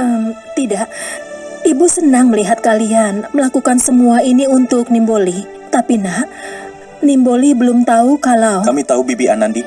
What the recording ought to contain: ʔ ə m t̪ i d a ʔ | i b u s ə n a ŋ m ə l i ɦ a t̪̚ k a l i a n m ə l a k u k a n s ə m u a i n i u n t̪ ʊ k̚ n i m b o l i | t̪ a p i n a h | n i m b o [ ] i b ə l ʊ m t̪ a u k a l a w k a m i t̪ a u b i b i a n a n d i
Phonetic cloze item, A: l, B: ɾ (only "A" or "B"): A